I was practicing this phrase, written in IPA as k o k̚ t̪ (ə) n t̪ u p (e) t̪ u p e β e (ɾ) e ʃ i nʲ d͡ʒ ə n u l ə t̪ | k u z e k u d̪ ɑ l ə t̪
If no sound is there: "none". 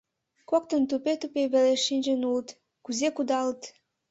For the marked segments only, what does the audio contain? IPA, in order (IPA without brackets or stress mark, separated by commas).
ə, e, l